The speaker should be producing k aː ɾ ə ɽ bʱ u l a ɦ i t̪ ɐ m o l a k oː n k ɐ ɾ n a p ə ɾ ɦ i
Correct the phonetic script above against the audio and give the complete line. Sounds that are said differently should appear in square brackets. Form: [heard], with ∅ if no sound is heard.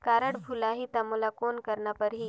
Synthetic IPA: k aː ɾ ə ɽ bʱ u l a ɦ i t̪ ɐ m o l a k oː n k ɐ ɾ n a p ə ɾ ɦ i